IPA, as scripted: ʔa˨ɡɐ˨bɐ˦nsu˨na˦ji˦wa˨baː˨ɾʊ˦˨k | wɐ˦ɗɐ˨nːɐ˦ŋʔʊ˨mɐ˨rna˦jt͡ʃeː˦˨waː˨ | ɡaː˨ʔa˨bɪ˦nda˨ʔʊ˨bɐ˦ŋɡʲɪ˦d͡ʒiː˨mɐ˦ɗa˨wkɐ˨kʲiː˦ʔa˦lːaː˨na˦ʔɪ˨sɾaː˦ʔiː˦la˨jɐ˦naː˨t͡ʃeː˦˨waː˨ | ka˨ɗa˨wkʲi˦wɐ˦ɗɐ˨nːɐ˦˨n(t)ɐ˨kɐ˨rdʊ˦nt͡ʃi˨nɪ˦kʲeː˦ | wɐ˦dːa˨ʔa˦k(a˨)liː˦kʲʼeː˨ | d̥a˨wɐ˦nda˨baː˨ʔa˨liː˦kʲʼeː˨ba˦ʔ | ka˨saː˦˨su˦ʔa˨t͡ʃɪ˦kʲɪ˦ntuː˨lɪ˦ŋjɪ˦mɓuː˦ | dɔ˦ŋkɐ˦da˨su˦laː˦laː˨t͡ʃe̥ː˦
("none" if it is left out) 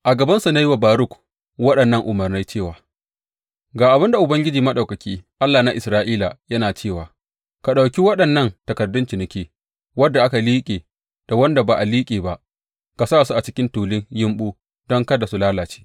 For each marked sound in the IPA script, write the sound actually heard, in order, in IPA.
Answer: t, a˨

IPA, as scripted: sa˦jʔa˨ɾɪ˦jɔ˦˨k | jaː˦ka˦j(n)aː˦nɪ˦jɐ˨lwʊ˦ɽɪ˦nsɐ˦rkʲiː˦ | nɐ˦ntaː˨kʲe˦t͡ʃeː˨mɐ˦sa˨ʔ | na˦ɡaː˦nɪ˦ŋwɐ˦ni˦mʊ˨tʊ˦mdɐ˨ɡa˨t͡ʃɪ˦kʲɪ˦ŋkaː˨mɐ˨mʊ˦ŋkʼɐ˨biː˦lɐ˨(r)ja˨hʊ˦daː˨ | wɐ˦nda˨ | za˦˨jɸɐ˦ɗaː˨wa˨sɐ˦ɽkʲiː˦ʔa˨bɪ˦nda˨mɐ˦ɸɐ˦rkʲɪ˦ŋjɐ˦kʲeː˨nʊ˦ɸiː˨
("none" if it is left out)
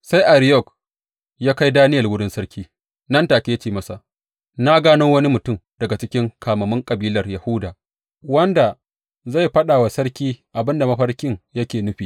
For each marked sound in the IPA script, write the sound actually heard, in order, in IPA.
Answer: d, r

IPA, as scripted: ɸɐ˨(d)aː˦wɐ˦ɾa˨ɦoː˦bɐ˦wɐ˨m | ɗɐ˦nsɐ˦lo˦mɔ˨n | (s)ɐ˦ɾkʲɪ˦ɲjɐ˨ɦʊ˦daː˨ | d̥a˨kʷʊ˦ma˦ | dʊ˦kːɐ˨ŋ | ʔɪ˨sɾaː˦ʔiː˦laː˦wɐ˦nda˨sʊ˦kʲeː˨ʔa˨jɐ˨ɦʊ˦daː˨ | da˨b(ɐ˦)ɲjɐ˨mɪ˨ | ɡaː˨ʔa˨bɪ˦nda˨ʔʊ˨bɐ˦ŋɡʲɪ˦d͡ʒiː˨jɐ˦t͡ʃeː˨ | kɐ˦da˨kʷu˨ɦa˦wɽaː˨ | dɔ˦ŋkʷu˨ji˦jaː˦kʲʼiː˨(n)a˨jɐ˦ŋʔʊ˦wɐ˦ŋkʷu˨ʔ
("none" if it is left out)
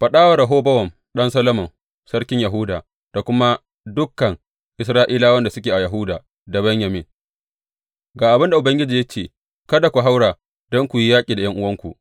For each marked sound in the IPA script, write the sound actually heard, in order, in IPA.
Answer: ɗ, s, ɐ˦, d

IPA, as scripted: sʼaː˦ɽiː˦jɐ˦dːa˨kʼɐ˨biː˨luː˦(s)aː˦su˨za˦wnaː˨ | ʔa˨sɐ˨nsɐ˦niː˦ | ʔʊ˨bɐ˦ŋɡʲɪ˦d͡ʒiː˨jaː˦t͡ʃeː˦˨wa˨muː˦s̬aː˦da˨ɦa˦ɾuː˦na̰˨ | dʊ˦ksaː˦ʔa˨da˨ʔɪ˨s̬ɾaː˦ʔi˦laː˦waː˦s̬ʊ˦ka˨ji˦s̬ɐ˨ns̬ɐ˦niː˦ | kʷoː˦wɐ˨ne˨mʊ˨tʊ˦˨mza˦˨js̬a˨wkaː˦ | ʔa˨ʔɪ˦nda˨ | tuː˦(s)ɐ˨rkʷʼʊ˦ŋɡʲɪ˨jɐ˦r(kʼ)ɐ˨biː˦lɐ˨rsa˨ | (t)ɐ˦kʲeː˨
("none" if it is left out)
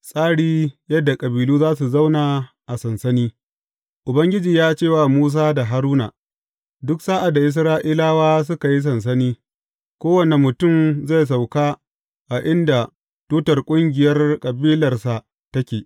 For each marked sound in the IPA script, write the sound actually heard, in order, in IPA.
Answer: z, t, kʼ, t

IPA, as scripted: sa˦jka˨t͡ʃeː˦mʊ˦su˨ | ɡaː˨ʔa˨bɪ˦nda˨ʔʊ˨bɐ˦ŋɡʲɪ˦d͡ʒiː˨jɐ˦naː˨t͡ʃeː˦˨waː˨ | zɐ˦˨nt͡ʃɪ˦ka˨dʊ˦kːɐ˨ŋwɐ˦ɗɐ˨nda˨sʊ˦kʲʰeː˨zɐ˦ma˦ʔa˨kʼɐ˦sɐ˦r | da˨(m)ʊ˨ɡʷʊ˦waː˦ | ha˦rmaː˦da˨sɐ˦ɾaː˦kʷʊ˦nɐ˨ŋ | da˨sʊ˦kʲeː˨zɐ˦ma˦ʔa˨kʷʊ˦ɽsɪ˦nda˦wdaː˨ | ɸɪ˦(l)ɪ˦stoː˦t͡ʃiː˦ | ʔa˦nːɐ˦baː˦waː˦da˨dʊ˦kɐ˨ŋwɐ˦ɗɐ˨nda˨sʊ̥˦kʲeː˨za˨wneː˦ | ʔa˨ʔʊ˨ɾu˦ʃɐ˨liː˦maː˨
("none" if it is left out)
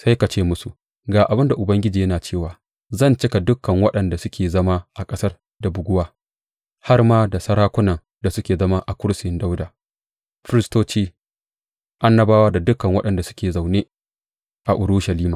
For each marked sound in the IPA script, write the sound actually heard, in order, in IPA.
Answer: b, ɾ

